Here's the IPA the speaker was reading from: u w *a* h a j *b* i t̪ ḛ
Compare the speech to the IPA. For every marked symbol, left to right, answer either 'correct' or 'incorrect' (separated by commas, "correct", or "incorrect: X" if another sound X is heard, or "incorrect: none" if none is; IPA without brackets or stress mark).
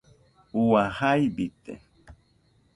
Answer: correct, correct